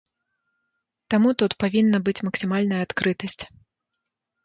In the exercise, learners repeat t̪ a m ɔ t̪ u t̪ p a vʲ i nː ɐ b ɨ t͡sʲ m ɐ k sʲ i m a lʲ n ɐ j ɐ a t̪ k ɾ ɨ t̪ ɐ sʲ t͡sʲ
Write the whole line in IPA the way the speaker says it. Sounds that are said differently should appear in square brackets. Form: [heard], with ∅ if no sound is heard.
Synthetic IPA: t̪ a m [u] t̪ u t̪ p a vʲ i nː ɐ b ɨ t͡sʲ m ɐ k sʲ i m a lʲ n ɐ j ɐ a t̪ k ɾ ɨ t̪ ɐ sʲ t͡sʲ